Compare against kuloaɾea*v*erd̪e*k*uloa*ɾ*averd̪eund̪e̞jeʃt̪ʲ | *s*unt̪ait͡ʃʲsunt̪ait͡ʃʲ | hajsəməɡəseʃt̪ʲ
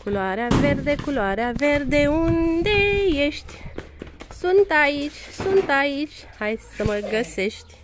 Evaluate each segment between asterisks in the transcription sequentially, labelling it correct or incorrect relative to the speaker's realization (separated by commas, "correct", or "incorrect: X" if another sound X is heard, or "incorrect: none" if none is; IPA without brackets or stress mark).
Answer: correct, correct, correct, correct